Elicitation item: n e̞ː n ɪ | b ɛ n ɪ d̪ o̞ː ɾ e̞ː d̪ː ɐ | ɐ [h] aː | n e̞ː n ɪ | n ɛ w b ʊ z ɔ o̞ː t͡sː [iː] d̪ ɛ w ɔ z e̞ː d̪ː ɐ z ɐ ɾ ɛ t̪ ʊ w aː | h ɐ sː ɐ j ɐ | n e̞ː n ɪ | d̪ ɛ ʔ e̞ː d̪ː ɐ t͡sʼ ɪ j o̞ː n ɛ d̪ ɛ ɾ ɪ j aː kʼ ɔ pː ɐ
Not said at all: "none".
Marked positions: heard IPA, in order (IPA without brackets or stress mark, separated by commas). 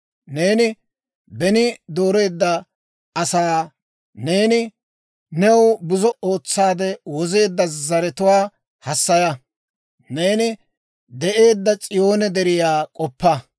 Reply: s, aː